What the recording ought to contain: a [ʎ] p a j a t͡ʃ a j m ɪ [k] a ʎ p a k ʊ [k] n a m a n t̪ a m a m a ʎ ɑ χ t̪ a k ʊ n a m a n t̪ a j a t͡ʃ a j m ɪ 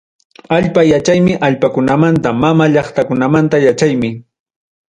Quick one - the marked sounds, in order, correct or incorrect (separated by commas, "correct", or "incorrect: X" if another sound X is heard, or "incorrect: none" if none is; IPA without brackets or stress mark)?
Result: correct, incorrect: ʔ, incorrect: none